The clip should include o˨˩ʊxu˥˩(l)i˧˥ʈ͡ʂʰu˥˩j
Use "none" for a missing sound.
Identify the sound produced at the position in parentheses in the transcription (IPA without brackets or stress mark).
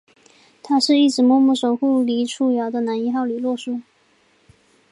l